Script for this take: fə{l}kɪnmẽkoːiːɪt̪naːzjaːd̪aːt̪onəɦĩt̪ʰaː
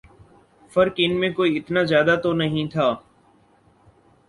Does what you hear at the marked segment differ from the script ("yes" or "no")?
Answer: yes